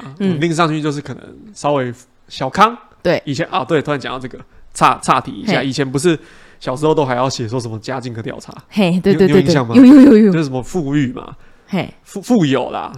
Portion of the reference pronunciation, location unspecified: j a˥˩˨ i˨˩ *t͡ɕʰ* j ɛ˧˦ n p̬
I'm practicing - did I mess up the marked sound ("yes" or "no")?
no